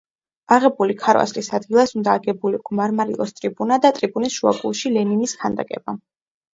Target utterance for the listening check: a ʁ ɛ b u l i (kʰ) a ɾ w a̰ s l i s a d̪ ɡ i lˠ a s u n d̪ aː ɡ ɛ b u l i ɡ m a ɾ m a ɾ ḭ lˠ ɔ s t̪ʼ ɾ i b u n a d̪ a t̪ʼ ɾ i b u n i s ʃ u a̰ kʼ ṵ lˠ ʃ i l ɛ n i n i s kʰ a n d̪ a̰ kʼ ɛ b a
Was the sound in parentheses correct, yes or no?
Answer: yes